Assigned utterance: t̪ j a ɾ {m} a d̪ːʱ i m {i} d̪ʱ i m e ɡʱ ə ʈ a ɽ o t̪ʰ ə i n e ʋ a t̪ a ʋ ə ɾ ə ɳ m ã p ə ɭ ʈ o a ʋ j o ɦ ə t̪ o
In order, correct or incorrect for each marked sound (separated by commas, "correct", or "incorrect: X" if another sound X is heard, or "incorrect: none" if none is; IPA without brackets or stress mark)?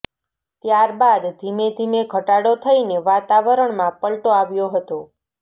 incorrect: b, incorrect: e